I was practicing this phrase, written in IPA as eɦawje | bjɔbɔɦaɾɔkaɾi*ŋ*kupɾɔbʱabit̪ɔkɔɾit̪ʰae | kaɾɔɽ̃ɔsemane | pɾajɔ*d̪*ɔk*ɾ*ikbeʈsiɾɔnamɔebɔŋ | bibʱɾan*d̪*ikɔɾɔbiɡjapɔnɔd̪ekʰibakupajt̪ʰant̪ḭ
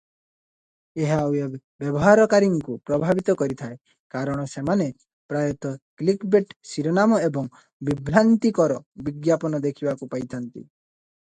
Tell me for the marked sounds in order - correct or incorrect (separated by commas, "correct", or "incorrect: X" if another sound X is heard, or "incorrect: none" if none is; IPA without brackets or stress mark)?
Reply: correct, incorrect: t̪, incorrect: l, incorrect: t̪